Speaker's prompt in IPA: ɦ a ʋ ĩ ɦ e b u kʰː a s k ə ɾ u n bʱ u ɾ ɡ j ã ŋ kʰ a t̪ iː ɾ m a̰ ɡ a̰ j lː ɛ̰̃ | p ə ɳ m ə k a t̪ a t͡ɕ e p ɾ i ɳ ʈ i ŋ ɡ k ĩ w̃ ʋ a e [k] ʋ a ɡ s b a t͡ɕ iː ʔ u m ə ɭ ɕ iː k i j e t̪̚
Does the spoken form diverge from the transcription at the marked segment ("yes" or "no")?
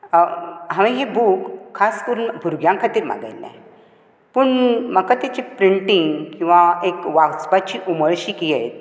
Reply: no